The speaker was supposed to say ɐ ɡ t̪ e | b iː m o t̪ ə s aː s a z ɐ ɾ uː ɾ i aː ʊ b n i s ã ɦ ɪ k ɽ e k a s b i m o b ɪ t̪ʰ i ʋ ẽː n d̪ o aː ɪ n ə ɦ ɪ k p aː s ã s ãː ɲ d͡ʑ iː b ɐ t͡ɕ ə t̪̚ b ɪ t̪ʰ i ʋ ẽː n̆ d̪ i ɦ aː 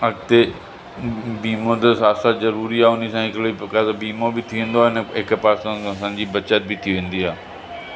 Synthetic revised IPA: ɐ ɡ t̪ e | b iː m o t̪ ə s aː s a z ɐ ɾ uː ɾ i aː ʊ n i s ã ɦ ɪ k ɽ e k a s b iː m o b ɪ t̪ʰ i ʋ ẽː n d̪ o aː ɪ n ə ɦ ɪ k p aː s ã s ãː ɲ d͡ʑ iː b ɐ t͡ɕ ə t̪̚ b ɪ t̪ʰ i ʋ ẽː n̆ d̪ i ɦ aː